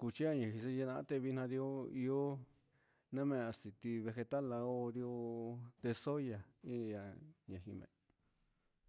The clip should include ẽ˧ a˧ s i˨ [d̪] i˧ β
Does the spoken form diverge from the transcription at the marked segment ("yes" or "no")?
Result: yes